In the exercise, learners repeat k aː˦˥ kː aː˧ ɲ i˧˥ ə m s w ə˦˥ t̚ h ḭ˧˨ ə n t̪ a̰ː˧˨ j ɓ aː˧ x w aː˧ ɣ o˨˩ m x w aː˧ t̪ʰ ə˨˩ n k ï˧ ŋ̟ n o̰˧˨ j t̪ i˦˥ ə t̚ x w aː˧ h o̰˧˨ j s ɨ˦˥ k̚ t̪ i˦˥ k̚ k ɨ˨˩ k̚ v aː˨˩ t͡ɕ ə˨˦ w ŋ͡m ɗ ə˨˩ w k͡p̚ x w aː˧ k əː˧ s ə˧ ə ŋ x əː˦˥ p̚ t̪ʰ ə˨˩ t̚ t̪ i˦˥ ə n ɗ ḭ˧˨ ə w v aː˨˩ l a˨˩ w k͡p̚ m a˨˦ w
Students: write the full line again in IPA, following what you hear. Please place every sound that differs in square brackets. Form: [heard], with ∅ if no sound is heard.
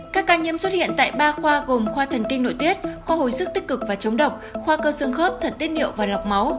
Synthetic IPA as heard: k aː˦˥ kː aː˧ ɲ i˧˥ ə m s w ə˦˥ t̚ h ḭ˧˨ ə n t̪ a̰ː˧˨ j ɓ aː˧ x w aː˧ ɣ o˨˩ m x w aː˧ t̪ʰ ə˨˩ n k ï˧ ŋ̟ n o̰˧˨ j t̪ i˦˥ ə t̚ x w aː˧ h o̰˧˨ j s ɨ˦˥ k̚ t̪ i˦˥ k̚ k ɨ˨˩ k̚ v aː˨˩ t͡ɕ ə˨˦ w ŋ͡m ɗ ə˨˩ w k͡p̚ x w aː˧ k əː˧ s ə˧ ə ŋ x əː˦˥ p̚ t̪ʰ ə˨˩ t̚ t̪ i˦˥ ə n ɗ ḭ˧˨ ə w v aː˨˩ l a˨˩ w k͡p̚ m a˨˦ w